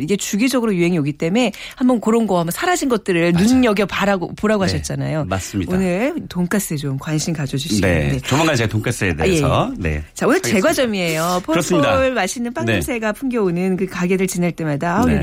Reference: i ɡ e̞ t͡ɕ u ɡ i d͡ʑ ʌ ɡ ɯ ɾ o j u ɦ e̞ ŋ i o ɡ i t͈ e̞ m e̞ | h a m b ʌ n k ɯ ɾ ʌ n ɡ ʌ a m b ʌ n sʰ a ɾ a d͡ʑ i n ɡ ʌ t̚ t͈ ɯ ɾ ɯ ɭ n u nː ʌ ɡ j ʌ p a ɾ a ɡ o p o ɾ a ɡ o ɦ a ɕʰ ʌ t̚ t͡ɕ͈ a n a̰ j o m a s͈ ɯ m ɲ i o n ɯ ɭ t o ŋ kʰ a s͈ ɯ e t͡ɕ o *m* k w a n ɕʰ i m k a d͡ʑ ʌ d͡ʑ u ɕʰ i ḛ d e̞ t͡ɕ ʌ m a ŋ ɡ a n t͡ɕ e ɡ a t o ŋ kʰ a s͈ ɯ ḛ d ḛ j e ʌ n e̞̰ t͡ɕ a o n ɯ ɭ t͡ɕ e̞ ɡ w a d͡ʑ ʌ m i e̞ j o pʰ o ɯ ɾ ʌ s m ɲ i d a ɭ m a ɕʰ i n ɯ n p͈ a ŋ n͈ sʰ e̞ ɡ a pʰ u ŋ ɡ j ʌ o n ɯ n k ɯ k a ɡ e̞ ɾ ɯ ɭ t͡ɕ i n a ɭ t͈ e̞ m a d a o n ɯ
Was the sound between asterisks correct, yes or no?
yes